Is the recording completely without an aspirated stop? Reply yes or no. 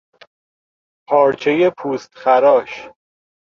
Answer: no